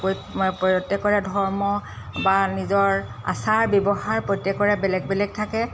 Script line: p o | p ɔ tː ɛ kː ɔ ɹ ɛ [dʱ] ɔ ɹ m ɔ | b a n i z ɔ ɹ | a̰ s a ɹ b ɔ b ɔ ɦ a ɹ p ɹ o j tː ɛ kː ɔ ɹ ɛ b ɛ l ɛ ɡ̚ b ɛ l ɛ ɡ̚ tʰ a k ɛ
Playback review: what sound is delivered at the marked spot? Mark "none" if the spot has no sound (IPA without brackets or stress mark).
dʱ